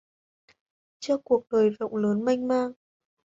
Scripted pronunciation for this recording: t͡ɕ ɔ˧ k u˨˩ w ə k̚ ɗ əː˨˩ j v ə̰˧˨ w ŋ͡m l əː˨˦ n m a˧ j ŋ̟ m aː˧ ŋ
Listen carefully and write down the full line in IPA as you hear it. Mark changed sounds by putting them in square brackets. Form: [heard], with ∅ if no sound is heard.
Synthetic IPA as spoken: t͡ɕ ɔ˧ k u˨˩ [∅] ə k̚ ɗ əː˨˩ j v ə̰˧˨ w ŋ͡m l əː˨˦ n m a˧ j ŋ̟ m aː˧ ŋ

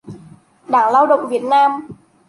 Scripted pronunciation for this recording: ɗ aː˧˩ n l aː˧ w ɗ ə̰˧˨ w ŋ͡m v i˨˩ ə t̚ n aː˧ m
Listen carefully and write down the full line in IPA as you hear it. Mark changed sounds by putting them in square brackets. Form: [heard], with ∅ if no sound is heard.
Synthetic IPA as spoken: ɗ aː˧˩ [ŋ] l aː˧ w ɗ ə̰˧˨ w ŋ͡m v i˨˩ ə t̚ n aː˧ m

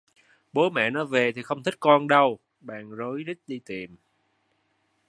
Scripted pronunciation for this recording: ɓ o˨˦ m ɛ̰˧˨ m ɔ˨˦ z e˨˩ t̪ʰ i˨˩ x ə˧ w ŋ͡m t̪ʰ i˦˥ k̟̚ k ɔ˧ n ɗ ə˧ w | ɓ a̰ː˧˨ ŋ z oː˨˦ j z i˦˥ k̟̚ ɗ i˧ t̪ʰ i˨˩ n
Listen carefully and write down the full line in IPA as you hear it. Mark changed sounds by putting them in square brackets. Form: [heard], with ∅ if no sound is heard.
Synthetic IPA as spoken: ɓ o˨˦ m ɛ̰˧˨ [n] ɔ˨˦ [v] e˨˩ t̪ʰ i˨˩ x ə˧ w ŋ͡m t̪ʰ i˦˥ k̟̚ k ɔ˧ n ɗ ə˧ w | ɓ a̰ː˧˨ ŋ z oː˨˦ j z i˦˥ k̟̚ ɗ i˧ [t̪] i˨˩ [m]

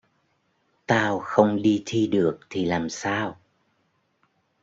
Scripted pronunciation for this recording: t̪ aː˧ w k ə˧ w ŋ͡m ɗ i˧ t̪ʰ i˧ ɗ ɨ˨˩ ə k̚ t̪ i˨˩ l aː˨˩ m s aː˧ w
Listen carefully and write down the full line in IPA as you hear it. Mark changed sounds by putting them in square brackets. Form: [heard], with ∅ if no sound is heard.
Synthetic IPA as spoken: t̪ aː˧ w [x] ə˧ w ŋ͡m ɗ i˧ t̪ʰ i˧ ɗ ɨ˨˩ ə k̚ [t̪ʰ] i˨˩ l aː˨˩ m s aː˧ w

